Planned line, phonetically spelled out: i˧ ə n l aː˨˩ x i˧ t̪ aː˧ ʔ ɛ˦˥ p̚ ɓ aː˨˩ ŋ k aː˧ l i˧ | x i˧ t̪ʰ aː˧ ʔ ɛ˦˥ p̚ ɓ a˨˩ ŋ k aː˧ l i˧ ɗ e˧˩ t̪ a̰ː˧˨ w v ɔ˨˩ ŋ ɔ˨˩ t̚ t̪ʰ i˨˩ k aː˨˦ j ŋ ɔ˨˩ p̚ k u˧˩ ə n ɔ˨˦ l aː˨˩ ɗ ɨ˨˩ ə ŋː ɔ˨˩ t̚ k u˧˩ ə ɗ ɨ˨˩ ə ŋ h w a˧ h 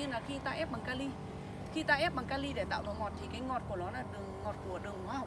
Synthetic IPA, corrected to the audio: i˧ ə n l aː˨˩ x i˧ t̪ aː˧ ʔ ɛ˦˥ p̚ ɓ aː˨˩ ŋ k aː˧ l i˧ | x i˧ t̪ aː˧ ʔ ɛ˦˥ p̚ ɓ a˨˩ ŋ k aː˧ l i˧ ɗ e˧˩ t̪ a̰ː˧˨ w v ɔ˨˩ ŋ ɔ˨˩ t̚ t̪ʰ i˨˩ k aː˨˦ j ŋ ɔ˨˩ t̚ k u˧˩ ə n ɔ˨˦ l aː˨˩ ɗ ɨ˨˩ ə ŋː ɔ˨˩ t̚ k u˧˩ ə ɗ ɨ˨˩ ə ŋ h w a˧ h